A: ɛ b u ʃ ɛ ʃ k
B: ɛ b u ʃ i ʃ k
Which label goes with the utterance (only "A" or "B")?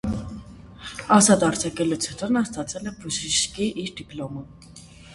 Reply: B